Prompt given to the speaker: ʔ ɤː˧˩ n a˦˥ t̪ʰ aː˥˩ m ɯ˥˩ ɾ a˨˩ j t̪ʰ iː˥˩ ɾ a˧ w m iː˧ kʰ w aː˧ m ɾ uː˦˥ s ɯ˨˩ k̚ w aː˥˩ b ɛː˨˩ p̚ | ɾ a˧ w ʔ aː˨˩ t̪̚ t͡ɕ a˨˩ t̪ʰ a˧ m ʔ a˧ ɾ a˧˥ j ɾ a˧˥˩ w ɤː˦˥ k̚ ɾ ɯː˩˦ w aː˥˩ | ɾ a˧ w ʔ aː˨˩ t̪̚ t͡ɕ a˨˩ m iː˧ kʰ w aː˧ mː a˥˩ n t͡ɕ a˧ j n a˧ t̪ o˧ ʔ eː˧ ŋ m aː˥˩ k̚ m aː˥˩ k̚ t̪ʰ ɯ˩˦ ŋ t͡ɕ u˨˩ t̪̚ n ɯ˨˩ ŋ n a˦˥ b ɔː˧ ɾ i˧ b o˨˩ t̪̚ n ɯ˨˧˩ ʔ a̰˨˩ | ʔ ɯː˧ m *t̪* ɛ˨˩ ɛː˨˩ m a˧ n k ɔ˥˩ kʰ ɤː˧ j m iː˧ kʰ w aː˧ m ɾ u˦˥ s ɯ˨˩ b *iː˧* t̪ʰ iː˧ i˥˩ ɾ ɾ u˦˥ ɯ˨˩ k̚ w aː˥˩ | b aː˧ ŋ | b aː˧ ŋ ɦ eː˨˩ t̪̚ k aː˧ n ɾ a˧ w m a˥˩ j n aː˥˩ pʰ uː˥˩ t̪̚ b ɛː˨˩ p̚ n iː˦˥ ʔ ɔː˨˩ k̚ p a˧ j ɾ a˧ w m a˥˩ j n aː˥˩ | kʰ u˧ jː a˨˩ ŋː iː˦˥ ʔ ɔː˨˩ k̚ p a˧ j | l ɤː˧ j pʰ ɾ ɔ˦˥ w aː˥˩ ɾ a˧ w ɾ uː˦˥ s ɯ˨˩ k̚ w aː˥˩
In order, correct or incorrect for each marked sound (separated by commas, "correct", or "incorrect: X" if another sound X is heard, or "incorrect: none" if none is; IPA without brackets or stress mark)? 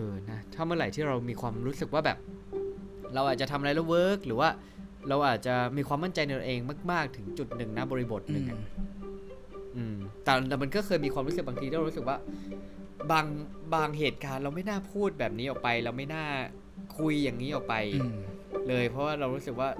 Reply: correct, incorrect: aː˧